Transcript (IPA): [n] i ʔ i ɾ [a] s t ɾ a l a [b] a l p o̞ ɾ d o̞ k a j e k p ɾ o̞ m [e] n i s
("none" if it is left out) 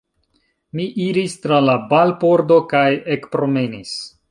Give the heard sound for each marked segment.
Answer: m, i, b, e

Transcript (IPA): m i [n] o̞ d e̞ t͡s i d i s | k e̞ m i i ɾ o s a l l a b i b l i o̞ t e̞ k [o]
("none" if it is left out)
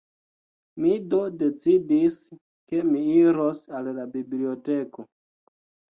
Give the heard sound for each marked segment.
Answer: d, o

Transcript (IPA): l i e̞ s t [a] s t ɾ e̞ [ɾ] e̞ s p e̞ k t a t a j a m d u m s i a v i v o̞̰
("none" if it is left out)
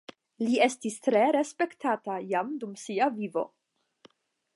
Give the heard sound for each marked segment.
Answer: i, ɾ

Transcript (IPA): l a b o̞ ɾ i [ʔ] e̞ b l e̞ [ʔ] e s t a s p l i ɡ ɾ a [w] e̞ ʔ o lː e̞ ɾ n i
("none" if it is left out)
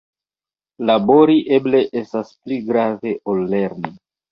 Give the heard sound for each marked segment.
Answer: ʔ, ʔ, v

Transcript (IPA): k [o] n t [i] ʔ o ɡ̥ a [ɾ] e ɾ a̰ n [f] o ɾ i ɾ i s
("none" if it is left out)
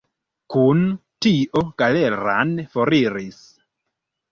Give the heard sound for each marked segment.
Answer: u, i, l, f

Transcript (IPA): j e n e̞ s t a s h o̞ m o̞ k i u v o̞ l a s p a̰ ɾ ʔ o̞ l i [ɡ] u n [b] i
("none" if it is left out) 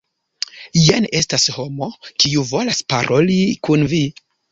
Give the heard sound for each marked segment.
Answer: k, v

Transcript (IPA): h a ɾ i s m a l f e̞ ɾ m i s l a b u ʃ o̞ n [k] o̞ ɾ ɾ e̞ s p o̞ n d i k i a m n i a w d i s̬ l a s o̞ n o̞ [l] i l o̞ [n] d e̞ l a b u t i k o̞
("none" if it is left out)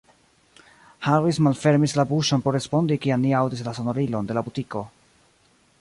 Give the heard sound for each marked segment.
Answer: p, ɾ, n

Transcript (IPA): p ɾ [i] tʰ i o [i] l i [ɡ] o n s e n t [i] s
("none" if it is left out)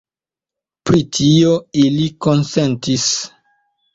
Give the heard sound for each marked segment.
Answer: i, i, k, i

